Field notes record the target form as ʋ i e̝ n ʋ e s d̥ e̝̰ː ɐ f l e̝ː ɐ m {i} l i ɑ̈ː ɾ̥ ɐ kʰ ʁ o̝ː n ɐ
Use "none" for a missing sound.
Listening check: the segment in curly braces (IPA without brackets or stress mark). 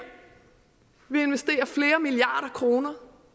i